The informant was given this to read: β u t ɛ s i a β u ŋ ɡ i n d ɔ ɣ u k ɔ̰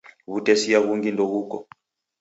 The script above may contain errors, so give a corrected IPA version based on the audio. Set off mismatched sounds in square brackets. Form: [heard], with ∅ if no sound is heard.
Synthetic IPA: β u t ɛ s i a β u ŋ ɡ i n d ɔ ɣ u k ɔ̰